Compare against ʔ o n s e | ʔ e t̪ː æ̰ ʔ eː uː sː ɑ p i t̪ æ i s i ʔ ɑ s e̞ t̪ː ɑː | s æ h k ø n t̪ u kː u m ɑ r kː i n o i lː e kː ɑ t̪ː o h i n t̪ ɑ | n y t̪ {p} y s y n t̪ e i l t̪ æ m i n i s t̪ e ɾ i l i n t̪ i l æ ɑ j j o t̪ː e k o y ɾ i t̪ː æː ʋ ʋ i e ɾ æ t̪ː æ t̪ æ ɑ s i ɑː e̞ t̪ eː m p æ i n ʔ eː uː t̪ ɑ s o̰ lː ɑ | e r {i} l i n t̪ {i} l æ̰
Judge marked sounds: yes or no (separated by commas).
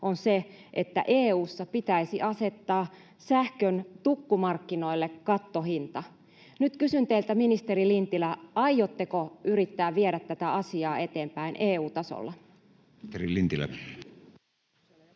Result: no, yes, yes